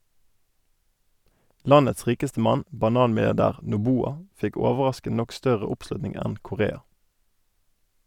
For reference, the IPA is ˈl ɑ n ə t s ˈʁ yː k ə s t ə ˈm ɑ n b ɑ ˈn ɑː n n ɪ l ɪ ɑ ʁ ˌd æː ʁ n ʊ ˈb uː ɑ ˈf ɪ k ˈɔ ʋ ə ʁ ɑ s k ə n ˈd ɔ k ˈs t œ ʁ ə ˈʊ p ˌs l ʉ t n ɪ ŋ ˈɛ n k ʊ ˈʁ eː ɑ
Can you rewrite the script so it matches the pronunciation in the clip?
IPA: ˈl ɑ n ə t s ˈʁ iː k ə s t ə ˈm ɑ n b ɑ ˈn ɑː n m ɪ l ɪ ɑ ʁ ˌd æː ʁ n ʊ ˈb uː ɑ ˈf ɪ k ˈɔ ʋ ə ʁ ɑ s k ə n ˈn ɔ k ˈs t œ ʁ ə ˈʊ p ˌs l ʉ t n ɪ ŋ ˈɛ n k ʊ ˈʁ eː ɑ